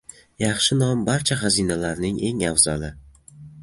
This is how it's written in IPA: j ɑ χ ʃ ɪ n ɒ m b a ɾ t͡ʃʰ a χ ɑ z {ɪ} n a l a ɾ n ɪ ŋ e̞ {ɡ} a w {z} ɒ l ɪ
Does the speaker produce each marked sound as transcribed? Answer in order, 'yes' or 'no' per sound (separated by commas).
no, no, yes